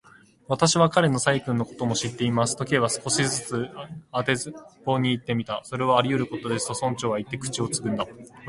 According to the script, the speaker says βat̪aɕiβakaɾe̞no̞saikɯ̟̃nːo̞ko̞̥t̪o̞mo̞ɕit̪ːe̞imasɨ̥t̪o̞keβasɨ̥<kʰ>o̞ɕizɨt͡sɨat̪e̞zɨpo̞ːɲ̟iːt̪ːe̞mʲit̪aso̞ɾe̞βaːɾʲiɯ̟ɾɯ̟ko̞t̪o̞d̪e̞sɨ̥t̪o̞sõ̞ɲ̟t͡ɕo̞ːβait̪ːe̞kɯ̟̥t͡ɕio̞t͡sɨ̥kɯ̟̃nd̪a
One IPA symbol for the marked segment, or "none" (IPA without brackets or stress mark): k